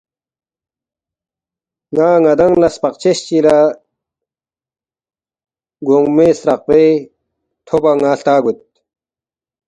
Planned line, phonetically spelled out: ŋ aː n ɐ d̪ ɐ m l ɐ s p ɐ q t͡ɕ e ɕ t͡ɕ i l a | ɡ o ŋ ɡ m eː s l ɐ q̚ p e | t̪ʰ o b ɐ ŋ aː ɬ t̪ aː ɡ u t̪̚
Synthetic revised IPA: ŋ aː ŋ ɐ d̪ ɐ ŋ l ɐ s p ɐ q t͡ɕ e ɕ t͡ɕ i l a | ɡ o ŋ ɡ m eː s ɾ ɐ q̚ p e | t̪ʰ o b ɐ ŋ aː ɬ t̪ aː ɡ u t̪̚